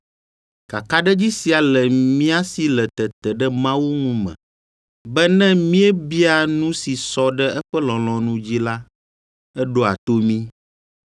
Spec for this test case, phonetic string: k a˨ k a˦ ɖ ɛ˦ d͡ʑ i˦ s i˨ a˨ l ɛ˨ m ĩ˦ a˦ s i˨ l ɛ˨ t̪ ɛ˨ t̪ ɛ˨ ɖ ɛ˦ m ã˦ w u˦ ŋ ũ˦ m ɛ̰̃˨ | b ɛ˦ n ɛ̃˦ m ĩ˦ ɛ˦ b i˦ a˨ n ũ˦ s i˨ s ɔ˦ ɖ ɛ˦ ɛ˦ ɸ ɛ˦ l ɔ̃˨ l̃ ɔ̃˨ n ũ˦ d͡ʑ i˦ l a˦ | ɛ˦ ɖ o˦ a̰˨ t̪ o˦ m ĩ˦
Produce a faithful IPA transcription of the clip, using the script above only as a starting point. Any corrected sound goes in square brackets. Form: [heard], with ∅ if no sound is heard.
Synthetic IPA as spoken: k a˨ k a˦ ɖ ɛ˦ d͡ʑ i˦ s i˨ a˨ l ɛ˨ m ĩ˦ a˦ s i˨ l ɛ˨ t̪ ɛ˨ t̪ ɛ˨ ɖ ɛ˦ m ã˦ w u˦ ŋ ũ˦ m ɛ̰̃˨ | b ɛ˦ n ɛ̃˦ m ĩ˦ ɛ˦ b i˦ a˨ n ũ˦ s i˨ s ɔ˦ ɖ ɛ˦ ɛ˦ ɸ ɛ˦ l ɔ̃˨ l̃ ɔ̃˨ n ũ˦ d͡ʑ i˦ l a˦ | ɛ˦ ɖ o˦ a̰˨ t̪ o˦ m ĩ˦

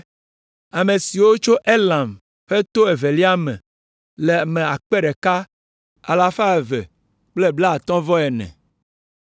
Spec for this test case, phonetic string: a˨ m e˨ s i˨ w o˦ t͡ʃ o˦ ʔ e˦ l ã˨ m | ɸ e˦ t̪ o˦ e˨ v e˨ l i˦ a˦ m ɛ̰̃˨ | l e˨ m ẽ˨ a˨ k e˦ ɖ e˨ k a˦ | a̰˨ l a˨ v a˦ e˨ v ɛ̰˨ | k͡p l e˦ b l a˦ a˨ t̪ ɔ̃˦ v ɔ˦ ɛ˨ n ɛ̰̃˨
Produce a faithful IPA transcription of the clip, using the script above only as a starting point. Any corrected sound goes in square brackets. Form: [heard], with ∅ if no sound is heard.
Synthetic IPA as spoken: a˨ m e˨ s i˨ w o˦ t͡ʃ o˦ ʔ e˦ l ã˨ m | ɸ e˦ t̪ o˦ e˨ v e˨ l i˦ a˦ m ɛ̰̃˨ | l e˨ m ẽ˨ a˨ [k͡p] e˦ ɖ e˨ k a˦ | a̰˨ l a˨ [f] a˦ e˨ v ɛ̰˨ | k͡p l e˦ b l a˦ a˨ t̪ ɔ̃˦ v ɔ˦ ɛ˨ n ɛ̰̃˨

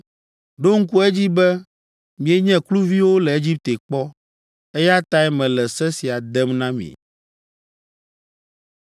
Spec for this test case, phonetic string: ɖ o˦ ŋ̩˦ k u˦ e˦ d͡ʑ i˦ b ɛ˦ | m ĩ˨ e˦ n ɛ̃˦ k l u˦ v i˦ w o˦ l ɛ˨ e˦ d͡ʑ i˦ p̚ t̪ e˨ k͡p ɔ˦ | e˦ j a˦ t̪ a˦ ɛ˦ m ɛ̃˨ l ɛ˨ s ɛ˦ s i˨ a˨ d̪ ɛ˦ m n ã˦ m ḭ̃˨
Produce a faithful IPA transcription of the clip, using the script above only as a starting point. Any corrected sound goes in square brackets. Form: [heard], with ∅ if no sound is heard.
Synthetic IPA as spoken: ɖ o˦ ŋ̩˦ k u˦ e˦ d͡ʑ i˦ b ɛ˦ | m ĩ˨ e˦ [ɲ] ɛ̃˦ k l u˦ v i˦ w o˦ l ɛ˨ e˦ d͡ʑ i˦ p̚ t̪ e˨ k͡p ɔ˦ | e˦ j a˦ t̪ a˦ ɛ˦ m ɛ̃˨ l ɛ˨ s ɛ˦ s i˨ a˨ d̪ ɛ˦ m n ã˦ m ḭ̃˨

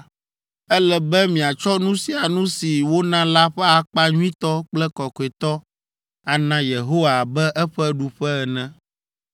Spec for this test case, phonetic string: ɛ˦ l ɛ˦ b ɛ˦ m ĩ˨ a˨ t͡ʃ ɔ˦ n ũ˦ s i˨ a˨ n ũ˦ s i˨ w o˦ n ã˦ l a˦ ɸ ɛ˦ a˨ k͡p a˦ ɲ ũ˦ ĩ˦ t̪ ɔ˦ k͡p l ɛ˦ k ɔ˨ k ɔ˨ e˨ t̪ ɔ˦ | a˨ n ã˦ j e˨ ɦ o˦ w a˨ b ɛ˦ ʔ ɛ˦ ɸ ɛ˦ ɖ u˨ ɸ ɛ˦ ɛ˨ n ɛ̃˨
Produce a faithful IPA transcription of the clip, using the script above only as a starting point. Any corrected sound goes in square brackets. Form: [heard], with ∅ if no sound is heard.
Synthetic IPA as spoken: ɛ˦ l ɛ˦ b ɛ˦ m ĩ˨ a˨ t͡ʃ ɔ˦ n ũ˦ s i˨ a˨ n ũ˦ s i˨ w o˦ n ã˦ l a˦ ɸ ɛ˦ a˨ k͡p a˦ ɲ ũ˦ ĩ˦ t̪ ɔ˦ k͡p l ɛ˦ k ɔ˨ k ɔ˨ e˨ t̪ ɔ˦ | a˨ n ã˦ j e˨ ɦ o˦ w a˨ b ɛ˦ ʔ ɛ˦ ɸ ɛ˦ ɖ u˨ ɸ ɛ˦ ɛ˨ n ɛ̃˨

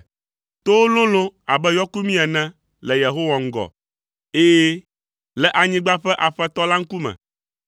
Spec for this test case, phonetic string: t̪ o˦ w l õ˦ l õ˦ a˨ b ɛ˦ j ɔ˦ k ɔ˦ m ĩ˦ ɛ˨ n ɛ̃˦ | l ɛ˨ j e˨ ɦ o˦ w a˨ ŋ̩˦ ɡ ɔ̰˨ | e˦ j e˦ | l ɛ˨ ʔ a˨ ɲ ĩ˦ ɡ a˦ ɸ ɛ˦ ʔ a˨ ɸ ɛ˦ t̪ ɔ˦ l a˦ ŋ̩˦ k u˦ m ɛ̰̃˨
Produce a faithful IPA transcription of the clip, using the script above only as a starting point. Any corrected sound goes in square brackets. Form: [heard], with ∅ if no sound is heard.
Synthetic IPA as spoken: t̪ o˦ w l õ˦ l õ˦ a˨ b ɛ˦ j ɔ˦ k [u˦] m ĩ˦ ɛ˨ n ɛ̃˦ | l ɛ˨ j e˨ ɦ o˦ w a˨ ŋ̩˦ ɡ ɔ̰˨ | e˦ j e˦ | l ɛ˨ ʔ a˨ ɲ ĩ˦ [ɡ͡b] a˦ ɸ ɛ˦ ʔ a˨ ɸ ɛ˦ t̪ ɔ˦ l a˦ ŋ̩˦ k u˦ m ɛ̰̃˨

